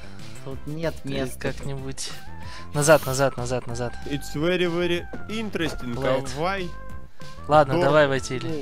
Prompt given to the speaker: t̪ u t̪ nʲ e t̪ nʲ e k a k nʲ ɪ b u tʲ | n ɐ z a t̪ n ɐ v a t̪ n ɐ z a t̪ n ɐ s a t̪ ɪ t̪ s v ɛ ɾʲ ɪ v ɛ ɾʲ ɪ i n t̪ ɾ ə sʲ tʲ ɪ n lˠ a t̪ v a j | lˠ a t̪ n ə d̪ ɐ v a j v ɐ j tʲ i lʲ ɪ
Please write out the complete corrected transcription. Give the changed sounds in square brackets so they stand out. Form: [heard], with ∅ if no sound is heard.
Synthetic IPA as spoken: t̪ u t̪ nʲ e t̪ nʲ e k a k nʲ ɪ b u tʲ | n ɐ z a t̪ n ɐ [z] a t̪ n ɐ z a t̪ n ɐ [z] a t̪ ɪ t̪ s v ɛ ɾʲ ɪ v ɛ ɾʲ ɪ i n t̪ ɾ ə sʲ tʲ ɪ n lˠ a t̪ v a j | lˠ a [d̪] n ə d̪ ɐ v a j v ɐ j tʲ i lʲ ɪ

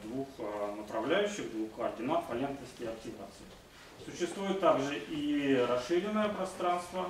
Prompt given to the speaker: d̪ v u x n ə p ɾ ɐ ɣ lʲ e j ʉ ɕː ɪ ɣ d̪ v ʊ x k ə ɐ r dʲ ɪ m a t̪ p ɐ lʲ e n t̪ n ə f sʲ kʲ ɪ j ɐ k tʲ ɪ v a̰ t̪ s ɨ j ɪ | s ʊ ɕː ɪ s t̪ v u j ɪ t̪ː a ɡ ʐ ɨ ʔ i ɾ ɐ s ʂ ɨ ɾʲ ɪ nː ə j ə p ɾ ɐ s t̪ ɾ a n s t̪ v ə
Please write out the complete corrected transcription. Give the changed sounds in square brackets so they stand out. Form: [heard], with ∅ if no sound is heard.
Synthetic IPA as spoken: d̪ v u x n ə p ɾ ɐ [v] lʲ [æ] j ʉ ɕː ɪ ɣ d̪ v [u] x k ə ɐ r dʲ ɪ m a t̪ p ɐ lʲ e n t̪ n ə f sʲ kʲ ɪ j ɐ k tʲ ɪ v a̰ t̪ s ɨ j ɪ | s ʊ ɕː ɪ s t̪ v u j ɪ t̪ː a ɡ ʐ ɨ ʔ i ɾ ɐ s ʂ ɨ ɾʲ ɪ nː ə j ə p ɾ ɐ s t̪ ɾ a n s t̪ v ə

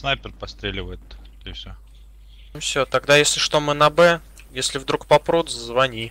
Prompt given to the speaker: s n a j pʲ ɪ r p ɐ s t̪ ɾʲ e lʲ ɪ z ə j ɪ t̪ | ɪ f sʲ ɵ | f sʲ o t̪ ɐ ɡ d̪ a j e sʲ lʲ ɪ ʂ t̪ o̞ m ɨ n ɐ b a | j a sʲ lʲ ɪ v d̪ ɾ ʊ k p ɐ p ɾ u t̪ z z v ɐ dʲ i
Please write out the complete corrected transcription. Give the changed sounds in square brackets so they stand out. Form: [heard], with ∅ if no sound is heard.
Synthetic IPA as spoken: s n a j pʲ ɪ r p ɐ s t̪ ɾʲ e lʲ ɪ [v] ə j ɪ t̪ | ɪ f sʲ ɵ | f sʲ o t̪ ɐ ɡ d̪ a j e sʲ lʲ ɪ ʂ t̪ o̞ m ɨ n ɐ b [ɛ] | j [e] sʲ lʲ ɪ v d̪ ɾ [u] k p ɐ p ɾ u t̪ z z v ɐ [nʲ] i

